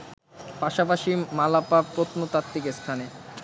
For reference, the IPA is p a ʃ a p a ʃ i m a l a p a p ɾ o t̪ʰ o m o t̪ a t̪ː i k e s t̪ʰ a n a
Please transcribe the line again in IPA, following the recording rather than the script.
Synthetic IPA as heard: p a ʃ a p a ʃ i m a l a p a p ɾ o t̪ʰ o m o t̪ a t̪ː i k e s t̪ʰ a n e